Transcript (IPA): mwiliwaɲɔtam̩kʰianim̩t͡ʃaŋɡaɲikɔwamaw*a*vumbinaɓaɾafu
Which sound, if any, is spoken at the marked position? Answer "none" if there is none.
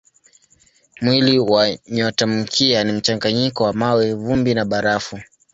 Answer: ɛ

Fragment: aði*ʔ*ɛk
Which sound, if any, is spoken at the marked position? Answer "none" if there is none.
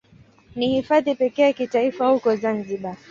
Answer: p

